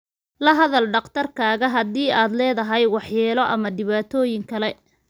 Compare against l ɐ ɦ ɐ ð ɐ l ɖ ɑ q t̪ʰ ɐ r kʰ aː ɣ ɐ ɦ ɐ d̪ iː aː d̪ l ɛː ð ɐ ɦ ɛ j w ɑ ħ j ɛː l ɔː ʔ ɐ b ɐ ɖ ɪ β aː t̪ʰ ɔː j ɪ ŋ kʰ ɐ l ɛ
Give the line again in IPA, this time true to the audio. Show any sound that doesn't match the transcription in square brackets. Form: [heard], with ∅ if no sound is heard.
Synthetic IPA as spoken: l ɐ ɦ ɐ ð ɐ l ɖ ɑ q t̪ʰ ɐ r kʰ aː ɣ ɐ ɦ ɐ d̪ iː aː d̪ l ɛː ð ɐ ɦ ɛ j w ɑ ħ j ɛː l [ɔ] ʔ ɐ [m] ɐ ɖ ɪ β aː t̪ʰ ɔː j ɪ ŋ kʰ ɐ l ɛ